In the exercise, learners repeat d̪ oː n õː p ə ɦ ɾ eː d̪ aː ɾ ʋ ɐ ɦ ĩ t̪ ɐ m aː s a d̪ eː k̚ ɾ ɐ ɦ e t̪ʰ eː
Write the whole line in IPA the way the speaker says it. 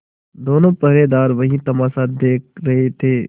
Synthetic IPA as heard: d̪ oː n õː p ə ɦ ɾ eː d̪ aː ɾ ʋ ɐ ɦ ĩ t̪ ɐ m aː s a d̪ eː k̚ ɾ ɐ ɦ e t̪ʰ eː